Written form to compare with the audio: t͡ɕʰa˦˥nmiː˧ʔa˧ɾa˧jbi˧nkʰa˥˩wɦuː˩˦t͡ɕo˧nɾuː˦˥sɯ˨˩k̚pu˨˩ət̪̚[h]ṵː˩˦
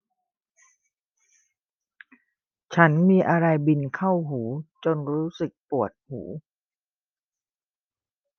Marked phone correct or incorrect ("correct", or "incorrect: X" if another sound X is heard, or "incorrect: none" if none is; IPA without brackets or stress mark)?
correct